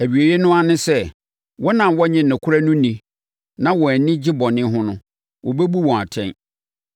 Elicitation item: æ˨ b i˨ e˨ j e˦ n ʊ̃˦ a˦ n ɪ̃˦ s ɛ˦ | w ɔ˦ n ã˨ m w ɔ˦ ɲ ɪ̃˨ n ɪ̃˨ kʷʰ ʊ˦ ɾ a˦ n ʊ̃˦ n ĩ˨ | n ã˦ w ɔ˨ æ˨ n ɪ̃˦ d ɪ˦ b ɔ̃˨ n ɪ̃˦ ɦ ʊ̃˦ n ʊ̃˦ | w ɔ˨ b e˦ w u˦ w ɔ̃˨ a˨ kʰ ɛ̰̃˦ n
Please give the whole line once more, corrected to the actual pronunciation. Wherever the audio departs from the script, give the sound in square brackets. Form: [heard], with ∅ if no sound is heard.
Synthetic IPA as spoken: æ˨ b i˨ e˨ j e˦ n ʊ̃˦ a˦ n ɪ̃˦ s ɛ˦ | w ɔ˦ n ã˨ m w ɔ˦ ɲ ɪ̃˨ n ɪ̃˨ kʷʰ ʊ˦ ɾ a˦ n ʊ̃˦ n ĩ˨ | n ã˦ w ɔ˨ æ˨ n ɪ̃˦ [d͡ʑ] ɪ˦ b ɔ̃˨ n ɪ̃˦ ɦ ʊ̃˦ n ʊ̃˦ | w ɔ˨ b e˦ [b] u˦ w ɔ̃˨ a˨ [tʰ] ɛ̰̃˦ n